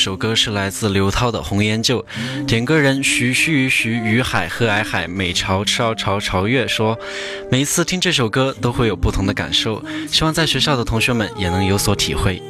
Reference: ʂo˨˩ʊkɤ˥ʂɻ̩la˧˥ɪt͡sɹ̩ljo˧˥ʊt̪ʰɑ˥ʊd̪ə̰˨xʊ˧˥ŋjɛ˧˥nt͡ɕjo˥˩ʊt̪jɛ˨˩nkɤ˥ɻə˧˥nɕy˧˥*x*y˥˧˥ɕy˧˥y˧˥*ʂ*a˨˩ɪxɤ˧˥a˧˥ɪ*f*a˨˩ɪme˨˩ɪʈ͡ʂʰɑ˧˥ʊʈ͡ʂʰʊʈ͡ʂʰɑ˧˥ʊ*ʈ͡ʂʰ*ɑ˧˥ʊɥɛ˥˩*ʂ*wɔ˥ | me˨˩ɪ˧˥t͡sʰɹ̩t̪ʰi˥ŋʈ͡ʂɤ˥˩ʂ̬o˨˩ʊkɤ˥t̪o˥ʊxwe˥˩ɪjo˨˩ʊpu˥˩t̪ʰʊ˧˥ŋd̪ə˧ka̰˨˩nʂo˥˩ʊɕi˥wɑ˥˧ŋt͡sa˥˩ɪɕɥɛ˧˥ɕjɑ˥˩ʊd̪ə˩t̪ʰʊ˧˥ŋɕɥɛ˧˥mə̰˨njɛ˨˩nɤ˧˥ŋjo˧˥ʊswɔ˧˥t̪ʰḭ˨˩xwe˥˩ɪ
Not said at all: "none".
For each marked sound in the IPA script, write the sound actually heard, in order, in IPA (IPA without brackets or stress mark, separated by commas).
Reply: ɕ, x, x, ʈ͡ʂʰ, ʂ